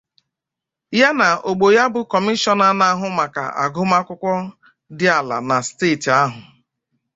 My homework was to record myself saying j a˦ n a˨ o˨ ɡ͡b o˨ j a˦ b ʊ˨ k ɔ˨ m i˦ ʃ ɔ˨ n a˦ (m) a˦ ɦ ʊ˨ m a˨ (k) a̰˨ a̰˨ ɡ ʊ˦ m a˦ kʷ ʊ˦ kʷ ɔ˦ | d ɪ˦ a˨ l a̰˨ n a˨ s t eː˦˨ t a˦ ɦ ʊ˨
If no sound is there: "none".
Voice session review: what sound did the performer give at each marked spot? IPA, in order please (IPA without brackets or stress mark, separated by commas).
n, k